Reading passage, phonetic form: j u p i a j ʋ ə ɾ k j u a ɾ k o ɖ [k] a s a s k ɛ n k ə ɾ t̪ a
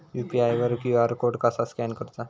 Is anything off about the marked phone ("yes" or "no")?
no